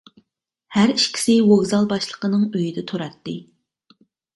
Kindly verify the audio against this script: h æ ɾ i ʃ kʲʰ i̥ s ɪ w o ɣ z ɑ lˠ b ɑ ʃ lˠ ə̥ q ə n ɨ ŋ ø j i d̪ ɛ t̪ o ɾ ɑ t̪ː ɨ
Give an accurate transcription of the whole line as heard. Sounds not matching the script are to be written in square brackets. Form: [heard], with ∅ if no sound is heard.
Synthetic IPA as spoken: h æ ɾ i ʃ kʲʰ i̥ s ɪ w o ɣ z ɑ lˠ b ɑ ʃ lˠ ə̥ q ə n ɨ ŋ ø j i d̪ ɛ [t̪ʰ] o ɾ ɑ t̪ː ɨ